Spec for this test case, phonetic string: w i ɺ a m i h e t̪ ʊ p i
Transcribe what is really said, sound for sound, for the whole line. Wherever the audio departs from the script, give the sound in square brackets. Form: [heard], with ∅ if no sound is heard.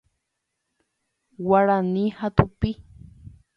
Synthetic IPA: w [a] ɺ a [n] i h [a] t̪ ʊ p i